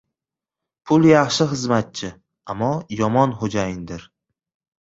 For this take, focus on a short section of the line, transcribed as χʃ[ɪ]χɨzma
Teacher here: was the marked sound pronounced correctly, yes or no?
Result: yes